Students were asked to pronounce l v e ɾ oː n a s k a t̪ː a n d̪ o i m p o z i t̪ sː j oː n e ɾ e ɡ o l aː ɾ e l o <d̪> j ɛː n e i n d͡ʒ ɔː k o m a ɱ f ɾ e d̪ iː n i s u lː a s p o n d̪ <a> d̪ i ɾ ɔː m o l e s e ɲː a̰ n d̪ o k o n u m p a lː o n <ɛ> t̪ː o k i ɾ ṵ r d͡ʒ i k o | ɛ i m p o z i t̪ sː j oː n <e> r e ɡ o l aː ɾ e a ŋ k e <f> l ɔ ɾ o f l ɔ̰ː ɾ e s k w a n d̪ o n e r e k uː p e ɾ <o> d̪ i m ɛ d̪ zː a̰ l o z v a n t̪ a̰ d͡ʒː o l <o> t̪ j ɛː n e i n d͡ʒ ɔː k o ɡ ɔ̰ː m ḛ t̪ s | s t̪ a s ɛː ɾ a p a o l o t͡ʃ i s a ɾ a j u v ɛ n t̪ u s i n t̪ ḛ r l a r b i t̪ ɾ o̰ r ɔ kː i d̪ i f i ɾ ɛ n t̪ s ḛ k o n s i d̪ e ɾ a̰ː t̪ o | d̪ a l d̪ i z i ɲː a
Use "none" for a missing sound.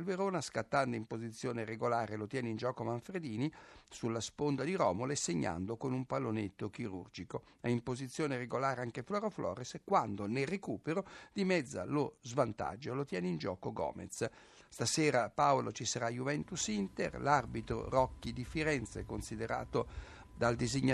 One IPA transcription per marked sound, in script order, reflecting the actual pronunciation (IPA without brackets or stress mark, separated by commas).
t̪, a, e, e, f, o, o